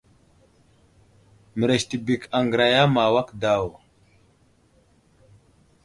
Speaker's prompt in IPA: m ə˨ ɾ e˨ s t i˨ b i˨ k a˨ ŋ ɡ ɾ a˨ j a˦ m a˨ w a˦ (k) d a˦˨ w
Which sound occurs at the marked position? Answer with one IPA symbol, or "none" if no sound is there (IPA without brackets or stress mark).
k